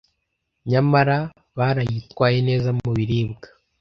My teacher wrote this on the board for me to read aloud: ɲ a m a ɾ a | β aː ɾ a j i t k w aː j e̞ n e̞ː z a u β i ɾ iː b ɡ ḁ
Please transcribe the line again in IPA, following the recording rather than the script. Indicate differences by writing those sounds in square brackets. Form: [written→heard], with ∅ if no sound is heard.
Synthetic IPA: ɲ a m a ɾ a | β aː ɾ a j i t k w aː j e̞ n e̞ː z a u β i ɾ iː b ɡ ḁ